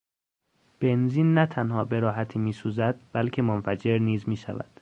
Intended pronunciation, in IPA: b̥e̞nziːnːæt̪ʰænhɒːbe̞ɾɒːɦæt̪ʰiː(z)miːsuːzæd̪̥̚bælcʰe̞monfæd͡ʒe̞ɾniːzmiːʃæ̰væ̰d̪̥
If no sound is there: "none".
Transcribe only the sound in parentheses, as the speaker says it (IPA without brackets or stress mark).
none